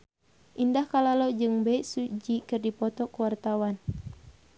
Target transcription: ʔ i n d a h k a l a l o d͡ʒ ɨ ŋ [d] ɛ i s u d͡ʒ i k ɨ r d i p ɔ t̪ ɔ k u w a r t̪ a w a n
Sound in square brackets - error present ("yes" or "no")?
yes